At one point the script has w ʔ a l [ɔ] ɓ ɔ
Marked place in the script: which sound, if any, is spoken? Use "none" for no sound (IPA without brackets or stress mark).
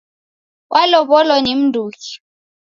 ɔ